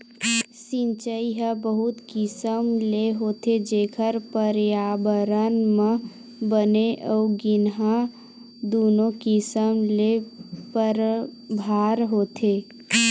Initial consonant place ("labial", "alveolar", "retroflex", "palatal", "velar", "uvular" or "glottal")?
alveolar